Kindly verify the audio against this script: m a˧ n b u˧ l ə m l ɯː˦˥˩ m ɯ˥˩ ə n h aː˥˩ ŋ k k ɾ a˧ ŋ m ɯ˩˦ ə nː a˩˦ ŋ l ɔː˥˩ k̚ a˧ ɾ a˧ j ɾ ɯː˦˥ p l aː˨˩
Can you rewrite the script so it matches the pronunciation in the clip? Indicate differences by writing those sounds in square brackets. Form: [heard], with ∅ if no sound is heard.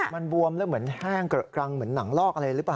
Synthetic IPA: m a˧ n b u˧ [∅] ə m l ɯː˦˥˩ m [ɯ˩˦] ə n h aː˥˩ ŋ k k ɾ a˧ ŋ m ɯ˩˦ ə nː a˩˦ ŋ l ɔː˥˩ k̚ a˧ ɾ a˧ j ɾ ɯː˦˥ p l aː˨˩